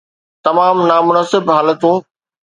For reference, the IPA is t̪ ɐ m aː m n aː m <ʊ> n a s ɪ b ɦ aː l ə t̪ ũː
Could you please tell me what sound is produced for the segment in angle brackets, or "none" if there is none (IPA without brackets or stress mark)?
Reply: ʊ